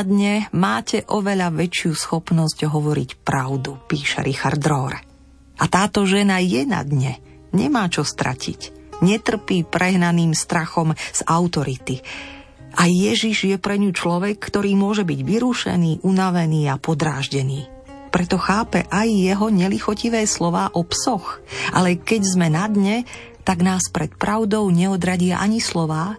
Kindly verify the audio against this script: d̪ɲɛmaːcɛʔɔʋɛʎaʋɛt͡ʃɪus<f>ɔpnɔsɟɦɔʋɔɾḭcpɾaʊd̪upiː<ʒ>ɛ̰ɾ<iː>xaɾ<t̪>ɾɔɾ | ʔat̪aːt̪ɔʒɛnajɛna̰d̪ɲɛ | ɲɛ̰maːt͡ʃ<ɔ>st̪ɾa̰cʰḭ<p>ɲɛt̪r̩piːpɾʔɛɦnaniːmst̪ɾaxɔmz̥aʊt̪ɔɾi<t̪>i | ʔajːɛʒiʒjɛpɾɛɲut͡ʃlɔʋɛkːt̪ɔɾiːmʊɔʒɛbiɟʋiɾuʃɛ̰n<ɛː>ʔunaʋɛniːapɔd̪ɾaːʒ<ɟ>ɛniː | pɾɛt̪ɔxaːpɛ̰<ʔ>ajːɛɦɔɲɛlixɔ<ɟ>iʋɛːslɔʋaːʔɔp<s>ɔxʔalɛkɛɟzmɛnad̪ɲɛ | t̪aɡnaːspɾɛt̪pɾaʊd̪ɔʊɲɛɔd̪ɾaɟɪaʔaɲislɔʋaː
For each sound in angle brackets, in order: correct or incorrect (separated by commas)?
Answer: incorrect, incorrect, incorrect, incorrect, correct, incorrect, correct, incorrect, correct, correct, incorrect, correct